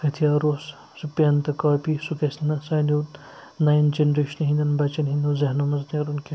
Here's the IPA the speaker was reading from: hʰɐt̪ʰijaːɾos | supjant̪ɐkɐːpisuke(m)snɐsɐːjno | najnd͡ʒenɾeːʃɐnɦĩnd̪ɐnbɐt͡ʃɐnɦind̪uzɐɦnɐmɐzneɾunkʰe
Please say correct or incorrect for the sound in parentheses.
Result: incorrect